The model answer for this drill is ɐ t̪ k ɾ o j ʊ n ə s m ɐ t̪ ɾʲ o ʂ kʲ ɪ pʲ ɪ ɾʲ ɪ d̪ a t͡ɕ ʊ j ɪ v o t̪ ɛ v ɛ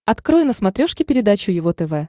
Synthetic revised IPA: ɐ t̪ k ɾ o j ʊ n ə s m ɐ t̪ ɾʲ o ʂ kʲ ɪ pʲ ɪ ɾʲ ɪ d̪ a t͡ɕ ʊ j ɪ v o t̪ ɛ v ɛ